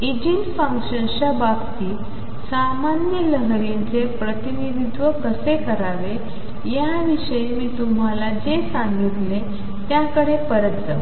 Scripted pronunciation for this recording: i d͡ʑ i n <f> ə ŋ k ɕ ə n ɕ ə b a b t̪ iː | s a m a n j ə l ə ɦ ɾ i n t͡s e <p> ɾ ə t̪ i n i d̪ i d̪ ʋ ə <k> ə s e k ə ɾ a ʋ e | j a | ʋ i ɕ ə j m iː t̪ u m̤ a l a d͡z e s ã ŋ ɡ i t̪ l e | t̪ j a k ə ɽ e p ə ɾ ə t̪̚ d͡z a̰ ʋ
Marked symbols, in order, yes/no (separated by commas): yes, yes, yes